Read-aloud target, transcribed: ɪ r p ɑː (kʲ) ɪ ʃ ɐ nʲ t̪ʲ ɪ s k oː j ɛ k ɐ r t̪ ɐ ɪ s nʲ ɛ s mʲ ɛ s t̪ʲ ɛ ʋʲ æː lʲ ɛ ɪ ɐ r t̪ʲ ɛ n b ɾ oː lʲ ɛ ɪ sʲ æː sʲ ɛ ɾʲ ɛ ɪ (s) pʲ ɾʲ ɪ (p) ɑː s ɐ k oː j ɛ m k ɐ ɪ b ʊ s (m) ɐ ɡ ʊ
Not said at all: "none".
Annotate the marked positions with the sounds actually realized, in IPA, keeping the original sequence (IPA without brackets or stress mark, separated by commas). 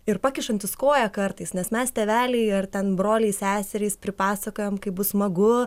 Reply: kʲ, s, p, m